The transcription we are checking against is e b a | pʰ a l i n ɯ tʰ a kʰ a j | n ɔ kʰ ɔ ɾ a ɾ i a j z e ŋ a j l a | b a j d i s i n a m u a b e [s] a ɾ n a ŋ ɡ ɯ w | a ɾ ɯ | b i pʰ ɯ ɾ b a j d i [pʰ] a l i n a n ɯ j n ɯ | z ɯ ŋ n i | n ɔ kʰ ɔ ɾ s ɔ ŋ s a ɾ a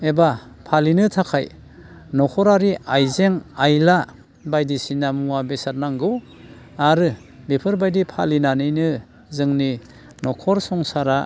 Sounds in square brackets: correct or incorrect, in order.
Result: correct, correct

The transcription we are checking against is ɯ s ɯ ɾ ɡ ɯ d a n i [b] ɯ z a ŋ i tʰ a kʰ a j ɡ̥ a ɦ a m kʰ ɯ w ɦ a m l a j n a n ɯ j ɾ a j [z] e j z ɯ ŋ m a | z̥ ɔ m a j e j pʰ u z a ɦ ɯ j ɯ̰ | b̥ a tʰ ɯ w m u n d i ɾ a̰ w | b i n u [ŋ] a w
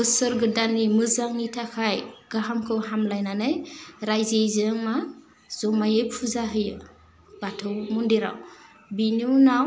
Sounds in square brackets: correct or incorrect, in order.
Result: incorrect: m, correct, incorrect: n

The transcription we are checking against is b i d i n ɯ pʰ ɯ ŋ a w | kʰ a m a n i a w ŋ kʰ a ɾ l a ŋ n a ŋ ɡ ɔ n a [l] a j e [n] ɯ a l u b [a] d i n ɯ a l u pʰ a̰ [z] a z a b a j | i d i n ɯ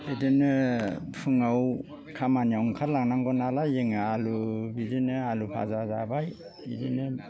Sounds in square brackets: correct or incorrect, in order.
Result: correct, incorrect: ŋ, incorrect: i, correct

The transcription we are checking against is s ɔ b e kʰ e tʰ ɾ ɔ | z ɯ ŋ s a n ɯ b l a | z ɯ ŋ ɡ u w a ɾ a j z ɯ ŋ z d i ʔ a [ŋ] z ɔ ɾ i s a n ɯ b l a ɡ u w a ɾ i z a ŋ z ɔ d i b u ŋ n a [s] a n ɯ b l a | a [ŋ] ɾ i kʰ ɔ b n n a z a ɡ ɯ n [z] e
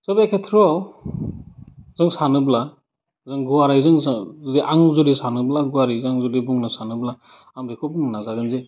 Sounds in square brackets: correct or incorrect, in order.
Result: correct, correct, incorrect: m, correct

